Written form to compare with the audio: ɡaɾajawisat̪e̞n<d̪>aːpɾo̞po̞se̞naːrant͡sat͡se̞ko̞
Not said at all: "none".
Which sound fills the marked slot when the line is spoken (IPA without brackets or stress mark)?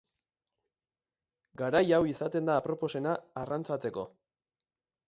d̪